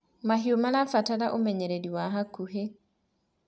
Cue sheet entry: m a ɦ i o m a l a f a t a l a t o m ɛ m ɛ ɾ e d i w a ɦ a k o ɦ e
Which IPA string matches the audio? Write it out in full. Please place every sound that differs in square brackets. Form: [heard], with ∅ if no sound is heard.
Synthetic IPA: m a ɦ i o m a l a f a t a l a [ʔ] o m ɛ [ɲ] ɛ ɾ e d i w a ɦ a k [u] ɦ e